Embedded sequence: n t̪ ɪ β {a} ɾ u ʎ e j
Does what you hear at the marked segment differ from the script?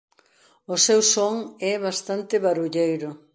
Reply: no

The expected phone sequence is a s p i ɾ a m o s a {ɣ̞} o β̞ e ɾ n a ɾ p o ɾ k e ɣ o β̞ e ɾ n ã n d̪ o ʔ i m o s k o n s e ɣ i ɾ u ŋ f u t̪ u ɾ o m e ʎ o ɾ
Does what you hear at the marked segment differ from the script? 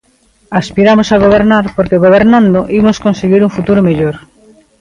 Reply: no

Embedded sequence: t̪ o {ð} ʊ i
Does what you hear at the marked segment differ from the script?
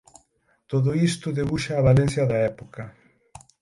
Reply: no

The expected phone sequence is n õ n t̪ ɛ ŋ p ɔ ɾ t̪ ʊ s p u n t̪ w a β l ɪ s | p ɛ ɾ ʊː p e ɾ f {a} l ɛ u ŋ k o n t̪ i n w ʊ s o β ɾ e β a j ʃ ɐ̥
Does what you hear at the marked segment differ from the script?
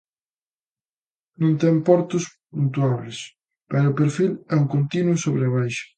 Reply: yes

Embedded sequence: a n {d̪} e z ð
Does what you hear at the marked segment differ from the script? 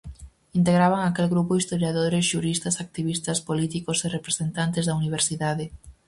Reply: yes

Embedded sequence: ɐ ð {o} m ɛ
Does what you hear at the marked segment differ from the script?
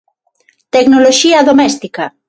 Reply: no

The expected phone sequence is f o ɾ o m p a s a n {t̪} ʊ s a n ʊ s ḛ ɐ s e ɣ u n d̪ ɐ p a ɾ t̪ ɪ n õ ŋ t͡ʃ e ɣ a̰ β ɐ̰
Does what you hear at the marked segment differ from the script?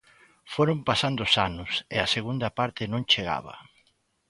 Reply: yes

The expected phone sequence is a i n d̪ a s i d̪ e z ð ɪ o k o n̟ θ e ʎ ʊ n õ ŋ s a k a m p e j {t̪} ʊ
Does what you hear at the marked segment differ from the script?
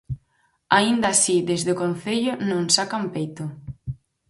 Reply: no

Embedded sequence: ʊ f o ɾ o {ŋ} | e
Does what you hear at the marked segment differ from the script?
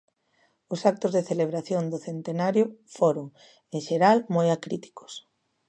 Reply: no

